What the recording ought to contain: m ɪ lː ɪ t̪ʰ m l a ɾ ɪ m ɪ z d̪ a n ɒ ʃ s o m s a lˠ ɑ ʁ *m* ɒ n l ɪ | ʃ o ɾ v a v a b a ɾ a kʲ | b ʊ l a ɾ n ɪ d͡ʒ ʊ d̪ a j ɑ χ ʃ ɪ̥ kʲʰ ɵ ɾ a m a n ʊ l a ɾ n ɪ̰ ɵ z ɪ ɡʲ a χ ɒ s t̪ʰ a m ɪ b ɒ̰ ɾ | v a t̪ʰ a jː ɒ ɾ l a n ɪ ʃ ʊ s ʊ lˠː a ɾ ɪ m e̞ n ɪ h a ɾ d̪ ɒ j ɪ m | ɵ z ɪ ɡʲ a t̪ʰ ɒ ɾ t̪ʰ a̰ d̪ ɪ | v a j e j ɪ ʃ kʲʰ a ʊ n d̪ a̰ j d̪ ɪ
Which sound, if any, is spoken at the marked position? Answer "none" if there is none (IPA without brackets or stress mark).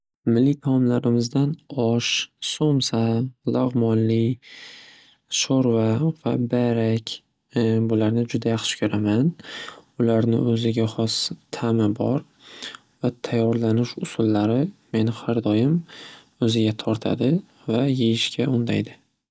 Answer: m